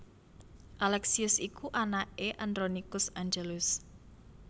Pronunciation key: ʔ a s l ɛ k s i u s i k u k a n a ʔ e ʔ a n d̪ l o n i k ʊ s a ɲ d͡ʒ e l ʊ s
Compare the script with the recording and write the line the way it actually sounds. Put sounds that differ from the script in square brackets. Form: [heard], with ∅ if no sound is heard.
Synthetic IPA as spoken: ʔ a [∅] l ɛ k s i [ʊ] s i k u [ʔ] a n a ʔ e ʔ a n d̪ [ɾ] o n i k ʊ s a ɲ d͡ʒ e l ʊ s